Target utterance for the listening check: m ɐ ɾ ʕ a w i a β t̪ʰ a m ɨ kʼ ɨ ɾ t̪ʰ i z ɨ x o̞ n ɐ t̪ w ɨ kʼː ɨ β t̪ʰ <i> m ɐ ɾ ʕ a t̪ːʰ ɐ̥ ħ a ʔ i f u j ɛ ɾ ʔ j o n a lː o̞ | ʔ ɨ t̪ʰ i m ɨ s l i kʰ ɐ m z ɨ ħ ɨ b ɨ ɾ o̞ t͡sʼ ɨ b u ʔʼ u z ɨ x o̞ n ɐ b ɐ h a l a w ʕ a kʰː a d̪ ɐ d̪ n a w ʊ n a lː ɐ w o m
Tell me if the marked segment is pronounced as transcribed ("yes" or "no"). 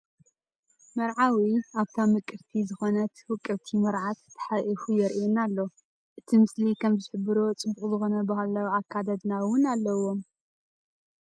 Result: yes